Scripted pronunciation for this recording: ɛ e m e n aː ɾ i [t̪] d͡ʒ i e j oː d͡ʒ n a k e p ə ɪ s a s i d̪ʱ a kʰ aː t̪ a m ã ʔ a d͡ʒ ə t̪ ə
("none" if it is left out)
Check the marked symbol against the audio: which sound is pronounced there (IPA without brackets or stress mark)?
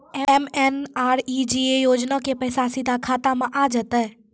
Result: none